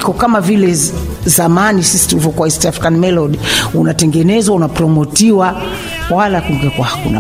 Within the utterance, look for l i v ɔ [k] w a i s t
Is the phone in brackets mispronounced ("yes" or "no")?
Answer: no